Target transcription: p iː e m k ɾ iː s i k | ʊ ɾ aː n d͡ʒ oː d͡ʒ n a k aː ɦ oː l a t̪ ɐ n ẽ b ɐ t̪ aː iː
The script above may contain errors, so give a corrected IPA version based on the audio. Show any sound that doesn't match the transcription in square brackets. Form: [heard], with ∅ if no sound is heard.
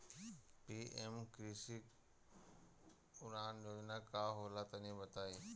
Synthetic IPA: p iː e m k ɾ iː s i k | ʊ ɾ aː n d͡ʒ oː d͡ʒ n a k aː ɦ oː l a t̪ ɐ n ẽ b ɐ t̪ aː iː